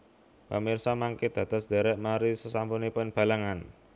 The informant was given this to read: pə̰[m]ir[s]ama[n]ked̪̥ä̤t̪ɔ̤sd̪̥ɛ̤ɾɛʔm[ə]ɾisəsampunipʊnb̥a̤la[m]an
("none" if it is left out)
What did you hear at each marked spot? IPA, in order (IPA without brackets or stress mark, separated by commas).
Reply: m, s, ŋ, a, ŋ